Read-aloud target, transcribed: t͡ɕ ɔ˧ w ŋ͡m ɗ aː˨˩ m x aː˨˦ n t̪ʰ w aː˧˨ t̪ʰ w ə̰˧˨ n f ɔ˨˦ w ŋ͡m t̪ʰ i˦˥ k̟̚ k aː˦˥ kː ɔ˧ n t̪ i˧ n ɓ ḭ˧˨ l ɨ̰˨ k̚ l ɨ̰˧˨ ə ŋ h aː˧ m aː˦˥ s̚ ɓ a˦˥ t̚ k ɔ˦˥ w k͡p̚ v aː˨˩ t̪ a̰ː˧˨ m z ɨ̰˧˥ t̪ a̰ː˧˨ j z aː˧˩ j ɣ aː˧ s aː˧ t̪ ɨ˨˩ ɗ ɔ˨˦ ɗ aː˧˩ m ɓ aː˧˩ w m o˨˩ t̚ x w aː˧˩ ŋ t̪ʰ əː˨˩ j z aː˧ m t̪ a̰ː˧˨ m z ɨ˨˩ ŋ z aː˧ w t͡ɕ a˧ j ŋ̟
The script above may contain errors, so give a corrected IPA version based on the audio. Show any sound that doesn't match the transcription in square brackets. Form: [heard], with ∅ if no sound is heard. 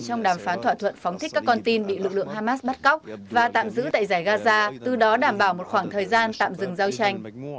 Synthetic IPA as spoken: t͡ɕ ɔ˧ w ŋ͡m ɗ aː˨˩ m [f] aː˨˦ n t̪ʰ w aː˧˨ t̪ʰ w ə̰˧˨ n f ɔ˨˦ w ŋ͡m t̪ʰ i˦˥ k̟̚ k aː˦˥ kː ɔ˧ n t̪ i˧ n ɓ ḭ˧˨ l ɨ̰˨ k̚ l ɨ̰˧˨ ə ŋ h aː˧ m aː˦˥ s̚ ɓ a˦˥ t̚ k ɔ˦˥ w k͡p̚ v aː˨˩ t̪ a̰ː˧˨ m z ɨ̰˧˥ t̪ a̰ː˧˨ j z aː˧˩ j ɣ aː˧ [z] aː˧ t̪ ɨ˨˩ ɗ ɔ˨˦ ɗ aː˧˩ m ɓ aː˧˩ w m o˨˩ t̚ x w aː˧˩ ŋ t̪ʰ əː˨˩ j z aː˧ [n] t̪ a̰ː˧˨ m z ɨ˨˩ ŋ z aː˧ w t͡ɕ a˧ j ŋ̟